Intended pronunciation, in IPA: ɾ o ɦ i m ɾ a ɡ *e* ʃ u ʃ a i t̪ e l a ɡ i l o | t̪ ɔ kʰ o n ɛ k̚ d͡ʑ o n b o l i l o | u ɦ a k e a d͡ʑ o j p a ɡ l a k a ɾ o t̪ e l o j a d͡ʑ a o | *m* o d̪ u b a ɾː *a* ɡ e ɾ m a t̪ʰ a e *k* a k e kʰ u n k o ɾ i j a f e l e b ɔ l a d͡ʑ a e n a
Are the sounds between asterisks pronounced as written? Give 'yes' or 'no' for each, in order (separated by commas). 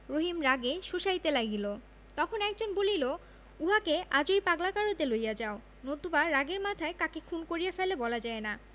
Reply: yes, no, yes, yes